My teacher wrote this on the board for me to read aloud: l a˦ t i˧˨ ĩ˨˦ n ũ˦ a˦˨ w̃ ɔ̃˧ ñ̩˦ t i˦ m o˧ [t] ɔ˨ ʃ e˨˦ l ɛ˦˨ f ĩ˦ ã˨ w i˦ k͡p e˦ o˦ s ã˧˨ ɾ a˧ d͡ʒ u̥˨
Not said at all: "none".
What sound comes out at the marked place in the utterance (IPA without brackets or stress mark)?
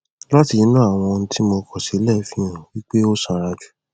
k